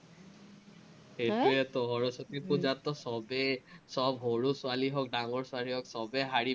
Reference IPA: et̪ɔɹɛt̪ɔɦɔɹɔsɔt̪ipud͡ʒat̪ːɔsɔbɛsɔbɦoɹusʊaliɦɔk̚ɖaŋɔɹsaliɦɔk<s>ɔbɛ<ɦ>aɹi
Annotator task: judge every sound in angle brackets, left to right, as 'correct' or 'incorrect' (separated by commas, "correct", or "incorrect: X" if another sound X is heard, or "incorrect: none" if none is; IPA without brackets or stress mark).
correct, correct